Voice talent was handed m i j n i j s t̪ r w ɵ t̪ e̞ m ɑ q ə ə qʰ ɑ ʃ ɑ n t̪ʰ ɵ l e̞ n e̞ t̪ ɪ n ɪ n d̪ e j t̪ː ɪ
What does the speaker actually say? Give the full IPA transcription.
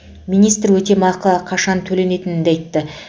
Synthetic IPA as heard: m i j n i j s t̪ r w ɵ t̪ e̞ m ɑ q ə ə qʰ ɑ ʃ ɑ n t̪ʰ ɵ l e̞ n e̞ t̪ ɪ n ɪ n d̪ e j t̪ː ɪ